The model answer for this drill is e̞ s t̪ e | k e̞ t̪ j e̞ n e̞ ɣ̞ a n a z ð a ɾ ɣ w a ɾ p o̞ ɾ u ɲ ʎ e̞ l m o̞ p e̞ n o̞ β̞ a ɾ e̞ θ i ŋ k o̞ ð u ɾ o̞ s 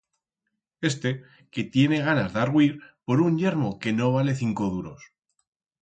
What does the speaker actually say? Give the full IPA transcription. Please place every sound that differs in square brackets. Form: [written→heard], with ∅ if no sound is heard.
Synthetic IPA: e̞ s t̪ e | k e̞ t̪ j e̞ n e̞ ɣ̞ a n a z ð a ɾ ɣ w [a→i] ɾ p o̞ ɾ u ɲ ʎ e̞ [l→ɾ] m o̞ [p→k] e̞ n o̞ β̞ a [ɾ→l] e̞ θ i ŋ k o̞ ð u ɾ o̞ s